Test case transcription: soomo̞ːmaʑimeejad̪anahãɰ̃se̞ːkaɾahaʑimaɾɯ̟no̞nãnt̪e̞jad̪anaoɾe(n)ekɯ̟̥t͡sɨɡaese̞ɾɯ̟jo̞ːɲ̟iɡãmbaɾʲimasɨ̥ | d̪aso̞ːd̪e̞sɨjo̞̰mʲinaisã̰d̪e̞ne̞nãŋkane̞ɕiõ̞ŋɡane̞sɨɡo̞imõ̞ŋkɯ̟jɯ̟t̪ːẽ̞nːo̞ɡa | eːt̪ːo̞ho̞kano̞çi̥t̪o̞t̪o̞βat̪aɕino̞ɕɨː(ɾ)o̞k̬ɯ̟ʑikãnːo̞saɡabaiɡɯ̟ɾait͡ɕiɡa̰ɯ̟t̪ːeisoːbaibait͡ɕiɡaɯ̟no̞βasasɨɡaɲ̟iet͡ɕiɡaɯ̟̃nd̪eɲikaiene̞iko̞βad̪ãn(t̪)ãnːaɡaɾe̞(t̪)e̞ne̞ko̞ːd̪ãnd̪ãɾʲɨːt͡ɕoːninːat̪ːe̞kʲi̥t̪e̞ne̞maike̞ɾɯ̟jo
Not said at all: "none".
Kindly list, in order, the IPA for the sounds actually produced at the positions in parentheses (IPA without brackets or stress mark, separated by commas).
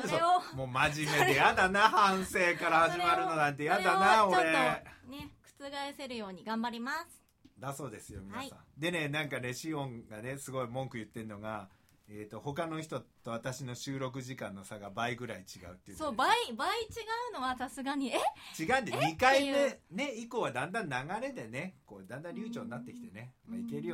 n, ɾ, d̪, d̪